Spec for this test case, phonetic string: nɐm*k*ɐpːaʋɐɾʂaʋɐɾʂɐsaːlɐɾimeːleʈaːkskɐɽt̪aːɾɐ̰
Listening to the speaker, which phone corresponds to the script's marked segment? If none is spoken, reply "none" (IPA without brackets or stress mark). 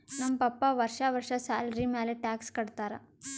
p